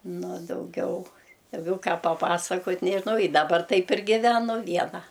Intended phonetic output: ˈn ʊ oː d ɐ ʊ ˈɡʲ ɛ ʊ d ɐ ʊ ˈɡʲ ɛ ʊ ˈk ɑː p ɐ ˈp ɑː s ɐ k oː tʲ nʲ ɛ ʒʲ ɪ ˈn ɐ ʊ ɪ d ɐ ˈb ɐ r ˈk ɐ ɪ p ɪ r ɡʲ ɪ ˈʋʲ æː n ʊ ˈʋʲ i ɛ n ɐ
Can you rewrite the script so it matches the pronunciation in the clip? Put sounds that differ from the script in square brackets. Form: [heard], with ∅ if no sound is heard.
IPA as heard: ˈn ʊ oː d ɐ ʊ ˈɡʲ ɛ ʊ d ɐ ʊ ˈɡʲ ɛ ʊ ˈk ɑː p ɐ ˈp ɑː s ɐ k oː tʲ nʲ ɛ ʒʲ ɪ ˈn ɐ ʊ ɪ d ɐ ˈb ɐ r [ˈt] ɐ ɪ p ɪ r ɡʲ ɪ ˈʋʲ æː n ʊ ˈʋʲ i ɛ n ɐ

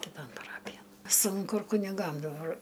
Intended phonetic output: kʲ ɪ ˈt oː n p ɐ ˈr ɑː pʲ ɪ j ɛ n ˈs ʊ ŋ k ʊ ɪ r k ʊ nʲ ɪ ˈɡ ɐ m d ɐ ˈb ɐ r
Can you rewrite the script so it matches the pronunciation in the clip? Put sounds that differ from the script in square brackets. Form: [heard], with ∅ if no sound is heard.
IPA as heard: kʲ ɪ ˈt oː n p ɐ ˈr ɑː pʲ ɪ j ɛ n ˈs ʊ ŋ k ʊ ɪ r k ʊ nʲ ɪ ˈɡ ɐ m d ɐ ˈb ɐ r

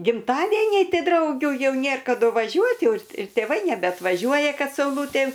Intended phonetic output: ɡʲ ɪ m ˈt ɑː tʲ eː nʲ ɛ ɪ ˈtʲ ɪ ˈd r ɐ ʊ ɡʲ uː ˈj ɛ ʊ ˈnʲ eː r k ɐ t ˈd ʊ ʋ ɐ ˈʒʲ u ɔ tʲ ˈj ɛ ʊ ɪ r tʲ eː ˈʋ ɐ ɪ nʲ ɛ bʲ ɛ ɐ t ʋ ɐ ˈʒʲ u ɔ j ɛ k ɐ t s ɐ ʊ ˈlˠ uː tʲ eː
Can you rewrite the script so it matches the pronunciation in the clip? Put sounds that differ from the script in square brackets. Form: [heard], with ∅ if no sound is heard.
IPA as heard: ɡʲ ɪ m ˈt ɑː [dʲ] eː nʲ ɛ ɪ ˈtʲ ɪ ˈd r ɐ ʊ ɡʲ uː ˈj ɛ ʊ ˈnʲ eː r k ɐ [∅] ˈd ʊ ʋ ɐ ˈʒʲ u ɔ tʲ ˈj ɛ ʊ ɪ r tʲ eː ˈʋ ɐ ɪ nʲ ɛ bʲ ɛ ɐ t ʋ ɐ ˈʒʲ u ɔ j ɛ k ɐ t s ɐ ʊ ˈlˠ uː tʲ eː

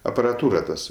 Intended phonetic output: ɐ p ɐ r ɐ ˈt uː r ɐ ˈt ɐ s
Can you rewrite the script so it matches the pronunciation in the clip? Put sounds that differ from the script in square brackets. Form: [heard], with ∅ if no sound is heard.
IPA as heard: ɐ p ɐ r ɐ ˈt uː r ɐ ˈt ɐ s

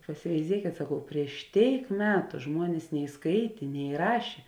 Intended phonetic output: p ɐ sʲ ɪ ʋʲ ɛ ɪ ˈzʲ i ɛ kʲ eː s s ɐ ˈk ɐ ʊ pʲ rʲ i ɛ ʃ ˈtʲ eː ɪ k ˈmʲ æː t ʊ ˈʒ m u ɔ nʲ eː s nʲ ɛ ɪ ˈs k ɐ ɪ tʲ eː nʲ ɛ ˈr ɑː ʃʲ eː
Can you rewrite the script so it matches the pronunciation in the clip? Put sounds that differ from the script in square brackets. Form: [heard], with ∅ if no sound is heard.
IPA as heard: p ɐ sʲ ɪ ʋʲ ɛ ɪ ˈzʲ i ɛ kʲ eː [t] s ɐ ˈk ɐ ʊ pʲ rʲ i ɛ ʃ ˈtʲ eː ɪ k ˈmʲ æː t ʊ ˈʒ m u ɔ nʲ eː s nʲ ɛ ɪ ˈs k ɐ ɪ tʲ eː nʲ ɛ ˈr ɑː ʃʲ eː

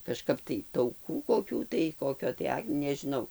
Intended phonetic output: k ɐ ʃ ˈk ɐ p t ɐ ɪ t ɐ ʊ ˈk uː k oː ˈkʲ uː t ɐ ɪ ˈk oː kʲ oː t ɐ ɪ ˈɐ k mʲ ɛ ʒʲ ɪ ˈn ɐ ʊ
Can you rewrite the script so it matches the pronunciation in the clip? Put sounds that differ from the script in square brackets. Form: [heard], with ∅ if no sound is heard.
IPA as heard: k ɐ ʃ ˈk ɐ p t ɐ ɪ t ɐ ʊ ˈk uː k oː ˈkʲ uː t ɐ ɪ ˈk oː kʲ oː t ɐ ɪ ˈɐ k [nʲ] ɛ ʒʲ ɪ ˈn ɐ ʊ

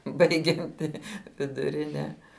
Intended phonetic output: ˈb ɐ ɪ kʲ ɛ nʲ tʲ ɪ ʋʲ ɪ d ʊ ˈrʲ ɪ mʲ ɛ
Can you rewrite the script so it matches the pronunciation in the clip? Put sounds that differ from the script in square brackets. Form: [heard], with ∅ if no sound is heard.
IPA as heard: ˈb ɐ ɪ [ɡʲ] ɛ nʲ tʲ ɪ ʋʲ ɪ d ʊ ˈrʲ ɪ [nʲ] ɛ

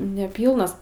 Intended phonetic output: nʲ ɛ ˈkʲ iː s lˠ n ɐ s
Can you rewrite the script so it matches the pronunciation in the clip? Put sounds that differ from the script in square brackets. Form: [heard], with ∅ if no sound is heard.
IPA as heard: nʲ ɛ [ˈpʲ] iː [∅] lˠ n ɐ s

